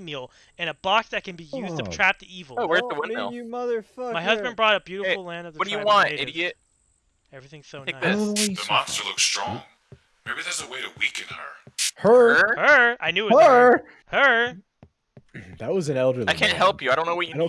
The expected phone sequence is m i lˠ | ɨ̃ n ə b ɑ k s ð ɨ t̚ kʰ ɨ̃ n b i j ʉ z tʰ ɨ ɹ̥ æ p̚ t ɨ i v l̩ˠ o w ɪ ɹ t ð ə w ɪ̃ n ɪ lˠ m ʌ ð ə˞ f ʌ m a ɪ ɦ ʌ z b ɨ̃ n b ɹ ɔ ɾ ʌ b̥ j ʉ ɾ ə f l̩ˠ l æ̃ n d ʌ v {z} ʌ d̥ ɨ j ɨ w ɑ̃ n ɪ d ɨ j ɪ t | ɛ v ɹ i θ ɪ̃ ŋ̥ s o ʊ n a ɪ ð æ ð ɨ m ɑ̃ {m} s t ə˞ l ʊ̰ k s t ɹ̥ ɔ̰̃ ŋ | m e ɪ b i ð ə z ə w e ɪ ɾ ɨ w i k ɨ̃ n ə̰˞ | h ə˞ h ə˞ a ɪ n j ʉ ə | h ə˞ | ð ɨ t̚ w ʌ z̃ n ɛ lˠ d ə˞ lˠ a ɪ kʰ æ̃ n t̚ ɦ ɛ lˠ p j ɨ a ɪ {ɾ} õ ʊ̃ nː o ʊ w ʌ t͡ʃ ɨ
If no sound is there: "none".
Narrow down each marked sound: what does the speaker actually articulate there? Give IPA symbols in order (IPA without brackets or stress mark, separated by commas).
ð, n, ɾ